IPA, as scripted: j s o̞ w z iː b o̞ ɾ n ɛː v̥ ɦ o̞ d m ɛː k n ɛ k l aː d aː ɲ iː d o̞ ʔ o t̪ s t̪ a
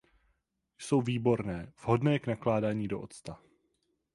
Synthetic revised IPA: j s o̞ w v iː b o̞ ɾ n ɛː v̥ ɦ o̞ d n ɛː k n a k l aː d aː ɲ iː d o̞ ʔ o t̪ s t̪ a